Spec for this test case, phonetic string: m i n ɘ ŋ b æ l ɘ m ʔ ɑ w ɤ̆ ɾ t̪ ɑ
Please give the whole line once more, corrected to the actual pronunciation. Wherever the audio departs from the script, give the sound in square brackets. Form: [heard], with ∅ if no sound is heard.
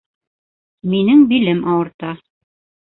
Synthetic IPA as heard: m i n ɘ ŋ b [i] l ɘ m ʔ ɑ w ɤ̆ ɾ t̪ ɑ

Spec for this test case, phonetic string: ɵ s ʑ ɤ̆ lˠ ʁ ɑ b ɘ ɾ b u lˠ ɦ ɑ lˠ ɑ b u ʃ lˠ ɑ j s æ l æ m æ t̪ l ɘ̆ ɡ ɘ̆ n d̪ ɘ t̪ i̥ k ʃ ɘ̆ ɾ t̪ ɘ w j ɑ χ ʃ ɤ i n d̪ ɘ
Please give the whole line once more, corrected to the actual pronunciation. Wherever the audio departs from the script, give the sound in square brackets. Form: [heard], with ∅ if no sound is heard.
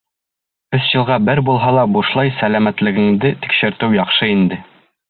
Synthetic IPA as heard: ɵ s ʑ ɤ̆ lˠ ʁ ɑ b ɘ ɾ b u lˠ ɦ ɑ lˠ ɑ b u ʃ lˠ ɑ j s æ l æ m æ t̪ l ɘ̆ ɡ ɘ̆ [ŋ] d̪ ɘ t̪ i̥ k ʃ ɘ̆ ɾ t̪ ɘ w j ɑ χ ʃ ɤ i n d̪ ɘ

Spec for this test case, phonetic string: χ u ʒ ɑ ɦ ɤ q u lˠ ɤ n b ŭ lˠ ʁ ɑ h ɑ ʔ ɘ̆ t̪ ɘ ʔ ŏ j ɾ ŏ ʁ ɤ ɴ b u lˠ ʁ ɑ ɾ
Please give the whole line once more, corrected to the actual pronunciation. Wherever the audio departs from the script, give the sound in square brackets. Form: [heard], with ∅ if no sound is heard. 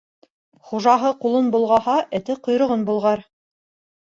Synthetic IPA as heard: χ u ʒ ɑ ɦ ɤ q u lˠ ɤ n b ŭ lˠ ʁ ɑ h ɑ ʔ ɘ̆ t̪ ɘ [q] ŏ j ɾ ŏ ʁ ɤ [n] b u lˠ ʁ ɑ ɾ

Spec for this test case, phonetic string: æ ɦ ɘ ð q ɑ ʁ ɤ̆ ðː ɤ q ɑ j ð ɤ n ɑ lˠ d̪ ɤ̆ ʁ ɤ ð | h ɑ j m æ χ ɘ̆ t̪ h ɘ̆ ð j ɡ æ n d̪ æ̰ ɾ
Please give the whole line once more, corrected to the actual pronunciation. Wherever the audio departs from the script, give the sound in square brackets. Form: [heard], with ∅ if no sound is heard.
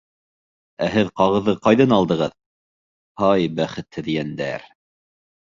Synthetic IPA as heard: æ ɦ ɘ ð q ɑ ʁ ɤ̆ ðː ɤ q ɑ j ð ɤ n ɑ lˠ d̪ ɤ̆ ʁ ɤ ð | h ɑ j [b] æ χ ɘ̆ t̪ h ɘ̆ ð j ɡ æ n d̪ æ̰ ɾ

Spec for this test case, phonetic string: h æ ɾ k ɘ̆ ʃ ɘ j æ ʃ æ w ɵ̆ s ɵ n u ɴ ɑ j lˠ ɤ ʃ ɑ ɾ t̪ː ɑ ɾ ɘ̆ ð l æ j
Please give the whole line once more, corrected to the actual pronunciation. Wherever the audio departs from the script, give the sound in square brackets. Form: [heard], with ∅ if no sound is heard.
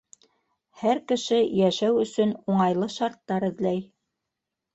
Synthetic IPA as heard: h æ ɾ k ɘ̆ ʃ ɘ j æ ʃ æ w ɵ̆ s ɵ n u ɴ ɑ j lˠ ɤ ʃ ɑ ɾ t̪ː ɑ ɾ ɘ̆ ð l æ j

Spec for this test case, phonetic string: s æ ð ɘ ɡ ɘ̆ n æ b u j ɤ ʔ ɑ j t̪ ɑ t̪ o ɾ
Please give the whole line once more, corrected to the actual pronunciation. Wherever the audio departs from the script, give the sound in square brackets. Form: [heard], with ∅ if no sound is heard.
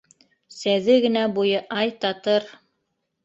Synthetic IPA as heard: s æ ð ɘ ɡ ɘ̆ n æ b u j ɤ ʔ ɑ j t̪ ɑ t̪ [ɤ] ɾ

